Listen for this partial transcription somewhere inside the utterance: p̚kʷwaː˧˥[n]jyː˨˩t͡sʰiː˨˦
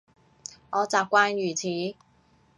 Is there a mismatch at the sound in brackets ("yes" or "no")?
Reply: no